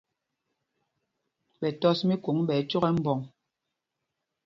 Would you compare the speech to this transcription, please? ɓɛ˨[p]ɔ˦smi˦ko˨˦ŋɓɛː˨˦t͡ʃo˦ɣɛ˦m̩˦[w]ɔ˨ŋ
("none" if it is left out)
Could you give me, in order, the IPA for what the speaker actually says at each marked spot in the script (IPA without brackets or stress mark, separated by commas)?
t, b